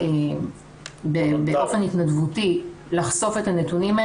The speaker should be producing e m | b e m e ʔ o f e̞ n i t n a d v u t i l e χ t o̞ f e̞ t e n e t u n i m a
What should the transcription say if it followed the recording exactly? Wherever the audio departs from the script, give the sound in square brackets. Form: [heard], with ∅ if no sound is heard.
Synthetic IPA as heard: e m | b e [b] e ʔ o f e̞ n i t n a d v u t i l [a] χ [s] o̞ f e̞ t [a] n e t u n i m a